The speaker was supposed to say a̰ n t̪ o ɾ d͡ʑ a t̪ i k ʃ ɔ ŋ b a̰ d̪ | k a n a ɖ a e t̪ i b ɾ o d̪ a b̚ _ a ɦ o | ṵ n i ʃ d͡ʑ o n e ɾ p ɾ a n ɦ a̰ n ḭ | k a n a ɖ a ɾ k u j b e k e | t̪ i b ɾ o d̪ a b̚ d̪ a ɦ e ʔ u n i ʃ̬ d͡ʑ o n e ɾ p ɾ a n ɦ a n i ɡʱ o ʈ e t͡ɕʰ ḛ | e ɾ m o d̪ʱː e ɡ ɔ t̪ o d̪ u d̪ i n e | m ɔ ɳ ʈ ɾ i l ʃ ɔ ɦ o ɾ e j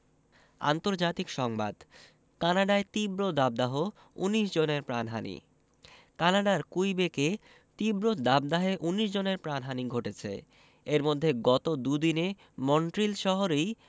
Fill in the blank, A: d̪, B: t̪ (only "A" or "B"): A